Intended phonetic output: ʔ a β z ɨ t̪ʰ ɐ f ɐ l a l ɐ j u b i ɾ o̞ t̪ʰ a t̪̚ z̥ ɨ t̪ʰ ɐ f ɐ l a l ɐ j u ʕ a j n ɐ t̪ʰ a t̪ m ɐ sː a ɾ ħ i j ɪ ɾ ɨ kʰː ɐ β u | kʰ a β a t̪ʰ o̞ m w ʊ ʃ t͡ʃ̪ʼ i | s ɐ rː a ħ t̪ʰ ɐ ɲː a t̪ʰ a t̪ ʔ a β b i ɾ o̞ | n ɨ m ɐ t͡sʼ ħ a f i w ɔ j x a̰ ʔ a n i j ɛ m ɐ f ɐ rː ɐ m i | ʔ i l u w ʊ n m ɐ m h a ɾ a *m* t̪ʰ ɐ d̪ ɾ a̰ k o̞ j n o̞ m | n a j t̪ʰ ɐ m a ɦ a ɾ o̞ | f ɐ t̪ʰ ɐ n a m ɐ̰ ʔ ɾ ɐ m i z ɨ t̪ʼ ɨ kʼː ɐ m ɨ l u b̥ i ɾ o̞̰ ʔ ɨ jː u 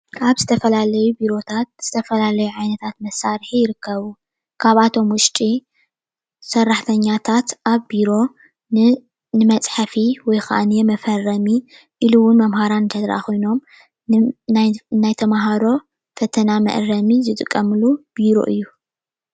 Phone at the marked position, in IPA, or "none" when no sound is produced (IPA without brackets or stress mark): n